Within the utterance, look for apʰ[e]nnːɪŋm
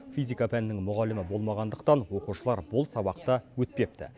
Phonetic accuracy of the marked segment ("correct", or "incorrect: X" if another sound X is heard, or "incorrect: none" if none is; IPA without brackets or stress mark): incorrect: æ